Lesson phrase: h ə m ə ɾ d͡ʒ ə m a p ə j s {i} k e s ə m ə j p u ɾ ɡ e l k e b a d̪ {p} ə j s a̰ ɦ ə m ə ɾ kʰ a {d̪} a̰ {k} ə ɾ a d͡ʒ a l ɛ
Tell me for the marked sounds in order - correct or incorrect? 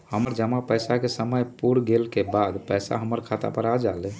incorrect: a, correct, incorrect: t̪, incorrect: p

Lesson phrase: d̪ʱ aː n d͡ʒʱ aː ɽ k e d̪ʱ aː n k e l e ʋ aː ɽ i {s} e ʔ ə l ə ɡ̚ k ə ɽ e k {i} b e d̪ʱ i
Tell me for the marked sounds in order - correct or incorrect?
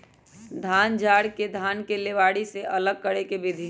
correct, incorrect: e

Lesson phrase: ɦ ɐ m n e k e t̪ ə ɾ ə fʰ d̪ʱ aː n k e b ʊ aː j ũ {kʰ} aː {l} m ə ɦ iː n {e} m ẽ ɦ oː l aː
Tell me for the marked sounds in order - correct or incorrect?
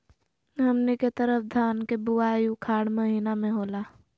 correct, incorrect: ɽ, incorrect: a

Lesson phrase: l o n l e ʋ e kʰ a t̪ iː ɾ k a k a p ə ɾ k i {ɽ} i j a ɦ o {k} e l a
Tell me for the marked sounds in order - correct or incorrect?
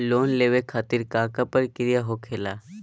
incorrect: ɾ, incorrect: kʰ

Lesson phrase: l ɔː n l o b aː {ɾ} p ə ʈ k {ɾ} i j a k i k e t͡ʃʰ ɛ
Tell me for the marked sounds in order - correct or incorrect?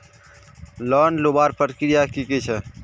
correct, correct

